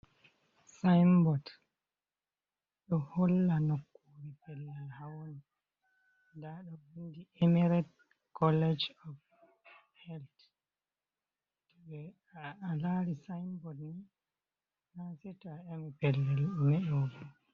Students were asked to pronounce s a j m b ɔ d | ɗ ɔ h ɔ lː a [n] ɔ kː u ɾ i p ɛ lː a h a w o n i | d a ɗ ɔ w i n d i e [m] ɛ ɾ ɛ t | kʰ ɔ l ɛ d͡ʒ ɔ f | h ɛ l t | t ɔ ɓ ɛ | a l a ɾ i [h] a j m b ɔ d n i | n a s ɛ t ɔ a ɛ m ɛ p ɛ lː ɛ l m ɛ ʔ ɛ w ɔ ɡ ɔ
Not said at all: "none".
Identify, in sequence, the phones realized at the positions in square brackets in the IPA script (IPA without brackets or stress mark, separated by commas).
n, m, s